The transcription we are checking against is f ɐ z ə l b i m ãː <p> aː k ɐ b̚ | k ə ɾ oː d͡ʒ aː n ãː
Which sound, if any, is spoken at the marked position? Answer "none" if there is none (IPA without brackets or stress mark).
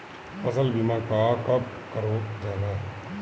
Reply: k